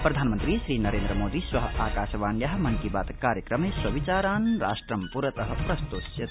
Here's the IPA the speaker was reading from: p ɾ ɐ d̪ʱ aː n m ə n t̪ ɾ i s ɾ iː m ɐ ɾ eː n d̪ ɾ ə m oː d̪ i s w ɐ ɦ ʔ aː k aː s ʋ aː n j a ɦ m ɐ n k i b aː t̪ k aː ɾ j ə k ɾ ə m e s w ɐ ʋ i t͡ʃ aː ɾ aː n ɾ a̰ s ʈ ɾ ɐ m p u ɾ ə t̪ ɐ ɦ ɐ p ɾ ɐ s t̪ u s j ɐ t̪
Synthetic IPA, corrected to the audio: p ɾ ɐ d̪ʱ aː n m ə n t̪ ɾ i s ɾ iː n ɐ ɾ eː n d̪ ɾ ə m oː d̪ i s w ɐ ɦ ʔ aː k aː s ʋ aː n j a ɦ m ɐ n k i b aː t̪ k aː ɾ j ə k ɾ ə m e s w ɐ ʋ i t͡ʃ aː ɾ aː n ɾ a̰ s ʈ ɾ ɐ m p u ɾ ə t̪ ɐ ɦ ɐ p ɾ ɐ s t̪ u s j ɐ t̪